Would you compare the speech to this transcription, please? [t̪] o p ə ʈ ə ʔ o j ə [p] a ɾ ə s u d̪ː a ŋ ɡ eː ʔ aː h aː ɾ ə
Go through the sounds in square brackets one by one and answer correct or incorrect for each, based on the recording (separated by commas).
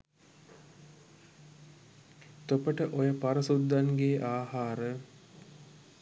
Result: correct, correct